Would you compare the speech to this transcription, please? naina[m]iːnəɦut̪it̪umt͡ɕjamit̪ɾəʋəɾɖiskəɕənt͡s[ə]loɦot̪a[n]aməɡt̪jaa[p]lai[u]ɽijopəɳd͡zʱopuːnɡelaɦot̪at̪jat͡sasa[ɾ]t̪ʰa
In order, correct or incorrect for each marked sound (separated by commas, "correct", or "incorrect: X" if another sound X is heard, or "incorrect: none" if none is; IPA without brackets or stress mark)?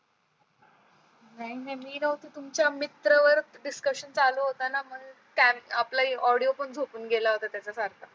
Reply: correct, incorrect: a, correct, correct, incorrect: ɔ, correct